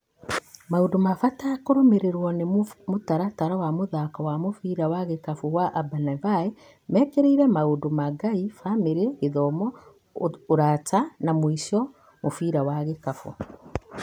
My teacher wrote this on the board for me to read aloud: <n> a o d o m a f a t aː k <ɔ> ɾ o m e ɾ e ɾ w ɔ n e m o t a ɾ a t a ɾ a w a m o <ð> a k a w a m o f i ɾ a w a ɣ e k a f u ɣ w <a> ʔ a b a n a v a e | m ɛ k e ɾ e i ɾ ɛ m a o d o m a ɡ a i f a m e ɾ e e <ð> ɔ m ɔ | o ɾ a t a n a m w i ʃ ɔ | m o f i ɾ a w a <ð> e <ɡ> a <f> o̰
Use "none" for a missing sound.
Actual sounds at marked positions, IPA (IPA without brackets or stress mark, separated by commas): m, o, ð, a, ð, ɣ, k, f